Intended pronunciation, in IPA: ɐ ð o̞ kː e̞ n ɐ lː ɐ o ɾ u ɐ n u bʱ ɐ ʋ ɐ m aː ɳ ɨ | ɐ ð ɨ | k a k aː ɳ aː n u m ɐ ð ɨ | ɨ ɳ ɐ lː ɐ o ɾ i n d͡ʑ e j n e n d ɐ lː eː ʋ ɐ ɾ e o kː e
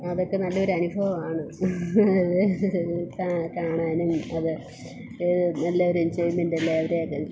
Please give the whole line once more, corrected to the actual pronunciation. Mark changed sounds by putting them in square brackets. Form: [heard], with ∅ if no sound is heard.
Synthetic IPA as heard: ɐ ð o̞ kː e̞ n ɐ lː ɐ o ɾ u ɐ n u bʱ ɐ ʋ ɐ m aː ɳ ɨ | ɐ ð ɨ | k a k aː ɳ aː n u m ɐ ð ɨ | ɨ [n] ɐ lː ɐ o ɾ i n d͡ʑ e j [m] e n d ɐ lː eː ʋ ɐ ɾ e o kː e

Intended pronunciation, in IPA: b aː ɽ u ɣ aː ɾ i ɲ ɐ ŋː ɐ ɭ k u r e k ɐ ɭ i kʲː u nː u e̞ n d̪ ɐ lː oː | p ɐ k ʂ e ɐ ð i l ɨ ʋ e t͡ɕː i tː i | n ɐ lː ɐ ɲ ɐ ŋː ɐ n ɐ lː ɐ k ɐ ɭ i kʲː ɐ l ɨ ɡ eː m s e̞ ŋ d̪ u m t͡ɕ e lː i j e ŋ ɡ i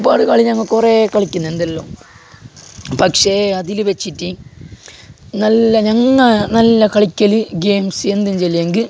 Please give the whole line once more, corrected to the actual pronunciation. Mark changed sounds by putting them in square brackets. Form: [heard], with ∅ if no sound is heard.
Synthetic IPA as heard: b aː ɽ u ɣ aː [ɭ] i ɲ ɐ ŋː ɐ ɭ k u r e k ɐ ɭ i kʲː u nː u e̞ n d̪ ɐ lː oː | p ɐ k ʂ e ɐ ð i l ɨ ʋ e t͡ɕː i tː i | n ɐ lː ɐ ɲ ɐ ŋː ɐ n ɐ lː ɐ k ɐ ɭ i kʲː ɐ l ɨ ɡ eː m s e̞ [n] d̪ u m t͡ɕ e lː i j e ŋ ɡ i

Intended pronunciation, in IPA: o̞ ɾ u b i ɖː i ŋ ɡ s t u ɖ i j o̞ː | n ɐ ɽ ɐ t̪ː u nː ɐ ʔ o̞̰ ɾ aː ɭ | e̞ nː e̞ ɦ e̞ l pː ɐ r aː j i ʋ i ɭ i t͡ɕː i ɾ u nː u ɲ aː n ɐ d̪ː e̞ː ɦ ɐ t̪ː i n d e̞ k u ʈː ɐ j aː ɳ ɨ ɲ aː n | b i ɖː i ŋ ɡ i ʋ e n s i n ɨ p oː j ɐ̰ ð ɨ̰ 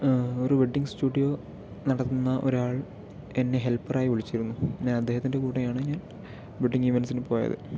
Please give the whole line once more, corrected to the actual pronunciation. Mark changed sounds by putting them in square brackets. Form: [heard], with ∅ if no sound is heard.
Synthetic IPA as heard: o̞ ɾ u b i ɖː i ŋ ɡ s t [uː] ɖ i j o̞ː | n ɐ ɽ ɐ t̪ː u nː ɐ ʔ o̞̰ ɾ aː ɭ | e̞ nː e̞ ɦ e̞ l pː ɐ r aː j i ʋ i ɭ i t͡ɕː i ɾ u nː u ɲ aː n ɐ d̪ː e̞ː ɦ ɐ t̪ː i n d e̞ k [uː] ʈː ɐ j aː ɳ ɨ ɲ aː n | b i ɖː i ŋ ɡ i ʋ e n s i n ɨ p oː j ɐ̰ ð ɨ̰

